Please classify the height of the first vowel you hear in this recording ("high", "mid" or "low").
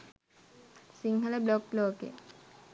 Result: high